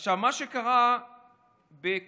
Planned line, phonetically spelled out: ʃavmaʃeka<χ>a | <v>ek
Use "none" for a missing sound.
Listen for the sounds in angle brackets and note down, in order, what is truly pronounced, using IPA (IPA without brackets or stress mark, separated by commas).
ʁ, b